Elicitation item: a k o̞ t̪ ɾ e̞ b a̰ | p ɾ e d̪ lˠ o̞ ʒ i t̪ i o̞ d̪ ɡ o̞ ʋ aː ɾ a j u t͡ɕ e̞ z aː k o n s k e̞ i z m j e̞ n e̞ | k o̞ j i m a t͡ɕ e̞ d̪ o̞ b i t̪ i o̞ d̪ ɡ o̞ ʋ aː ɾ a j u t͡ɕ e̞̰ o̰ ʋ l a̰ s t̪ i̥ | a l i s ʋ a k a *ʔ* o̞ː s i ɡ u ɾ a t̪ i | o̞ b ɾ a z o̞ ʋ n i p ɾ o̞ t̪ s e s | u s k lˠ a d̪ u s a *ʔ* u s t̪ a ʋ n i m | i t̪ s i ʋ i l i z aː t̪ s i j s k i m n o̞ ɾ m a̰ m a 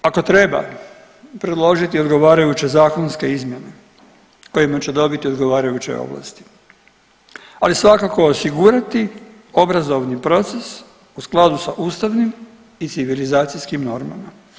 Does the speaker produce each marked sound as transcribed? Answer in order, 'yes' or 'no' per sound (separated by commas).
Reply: no, yes